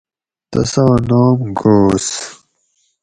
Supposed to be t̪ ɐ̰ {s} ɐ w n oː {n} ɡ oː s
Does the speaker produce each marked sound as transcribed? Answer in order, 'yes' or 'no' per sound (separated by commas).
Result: yes, no